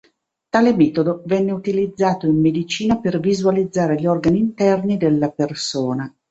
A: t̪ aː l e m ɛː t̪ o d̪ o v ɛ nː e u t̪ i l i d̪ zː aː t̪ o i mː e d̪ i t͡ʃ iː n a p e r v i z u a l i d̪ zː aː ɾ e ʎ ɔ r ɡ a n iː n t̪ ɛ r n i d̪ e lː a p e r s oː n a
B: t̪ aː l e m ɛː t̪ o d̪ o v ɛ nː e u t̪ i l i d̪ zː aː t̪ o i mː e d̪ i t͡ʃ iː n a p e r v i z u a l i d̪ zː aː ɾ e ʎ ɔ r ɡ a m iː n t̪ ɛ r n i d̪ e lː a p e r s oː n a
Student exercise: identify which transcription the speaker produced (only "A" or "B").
A